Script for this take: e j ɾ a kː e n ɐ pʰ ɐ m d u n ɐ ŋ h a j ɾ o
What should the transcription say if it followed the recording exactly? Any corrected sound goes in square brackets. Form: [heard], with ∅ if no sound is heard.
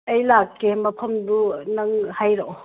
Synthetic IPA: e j [l] a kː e [m] ɐ pʰ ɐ m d u n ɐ ŋ h a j ɾ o